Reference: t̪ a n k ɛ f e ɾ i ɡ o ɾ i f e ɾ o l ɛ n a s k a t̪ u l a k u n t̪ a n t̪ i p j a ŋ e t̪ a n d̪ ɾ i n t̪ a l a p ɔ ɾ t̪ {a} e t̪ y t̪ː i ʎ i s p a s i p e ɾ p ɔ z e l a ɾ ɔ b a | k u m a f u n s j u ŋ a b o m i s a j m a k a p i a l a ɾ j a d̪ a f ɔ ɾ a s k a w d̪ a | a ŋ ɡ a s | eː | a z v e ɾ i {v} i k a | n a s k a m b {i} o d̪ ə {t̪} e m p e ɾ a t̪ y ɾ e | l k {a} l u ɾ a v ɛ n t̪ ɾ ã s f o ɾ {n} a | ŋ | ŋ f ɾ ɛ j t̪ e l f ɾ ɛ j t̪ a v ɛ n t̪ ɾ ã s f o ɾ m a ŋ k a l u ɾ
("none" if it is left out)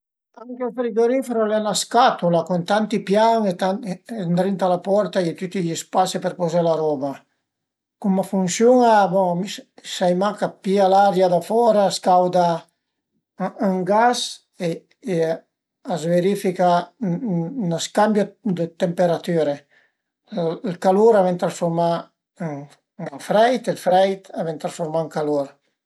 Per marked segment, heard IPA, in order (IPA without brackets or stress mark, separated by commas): a, f, j, t̪, a, m